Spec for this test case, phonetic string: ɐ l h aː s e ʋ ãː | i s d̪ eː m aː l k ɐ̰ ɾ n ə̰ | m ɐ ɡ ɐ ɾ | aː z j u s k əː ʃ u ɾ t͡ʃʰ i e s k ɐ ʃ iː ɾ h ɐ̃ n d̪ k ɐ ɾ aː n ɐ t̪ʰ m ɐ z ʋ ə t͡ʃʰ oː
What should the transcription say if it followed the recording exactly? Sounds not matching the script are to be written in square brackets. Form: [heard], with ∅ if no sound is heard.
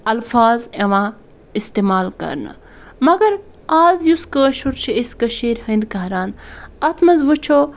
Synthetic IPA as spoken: ɐ l [f] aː [z] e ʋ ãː | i s [t̪] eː m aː l k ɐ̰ ɾ n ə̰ | m ɐ ɡ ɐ ɾ | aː z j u s k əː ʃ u ɾ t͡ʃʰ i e s k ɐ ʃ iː ɾ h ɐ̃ n d̪ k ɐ ɾ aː n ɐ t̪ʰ m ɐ z ʋ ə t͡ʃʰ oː